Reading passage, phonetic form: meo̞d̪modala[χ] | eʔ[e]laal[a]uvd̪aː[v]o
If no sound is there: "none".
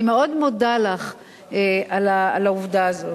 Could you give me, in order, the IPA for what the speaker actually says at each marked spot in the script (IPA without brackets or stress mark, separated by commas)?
χ, a, a, z